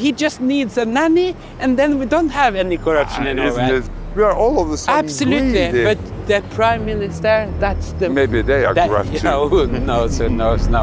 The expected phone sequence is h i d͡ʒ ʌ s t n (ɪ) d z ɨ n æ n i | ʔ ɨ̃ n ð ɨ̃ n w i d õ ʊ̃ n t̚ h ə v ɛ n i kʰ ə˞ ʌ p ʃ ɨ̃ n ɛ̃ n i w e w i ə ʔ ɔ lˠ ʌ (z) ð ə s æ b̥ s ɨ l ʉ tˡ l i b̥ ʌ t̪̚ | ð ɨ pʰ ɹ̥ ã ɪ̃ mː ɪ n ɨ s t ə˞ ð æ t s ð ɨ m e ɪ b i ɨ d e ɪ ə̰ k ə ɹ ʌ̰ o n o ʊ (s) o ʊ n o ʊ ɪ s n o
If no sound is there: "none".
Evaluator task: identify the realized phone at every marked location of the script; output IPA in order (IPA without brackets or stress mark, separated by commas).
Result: i, v, s